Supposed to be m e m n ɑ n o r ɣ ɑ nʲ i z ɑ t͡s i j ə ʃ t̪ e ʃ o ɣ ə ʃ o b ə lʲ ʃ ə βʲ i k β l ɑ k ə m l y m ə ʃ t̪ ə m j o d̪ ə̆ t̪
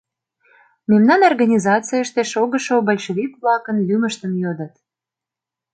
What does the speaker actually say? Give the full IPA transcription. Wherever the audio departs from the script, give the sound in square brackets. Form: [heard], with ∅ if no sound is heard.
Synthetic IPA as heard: m e m n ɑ n o r ɣ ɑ nʲ i z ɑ t͡s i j ə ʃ t̪ e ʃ o ɣ ə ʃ o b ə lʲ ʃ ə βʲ i k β l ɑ k ə [n] l y m ə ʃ t̪ ə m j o d̪ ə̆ t̪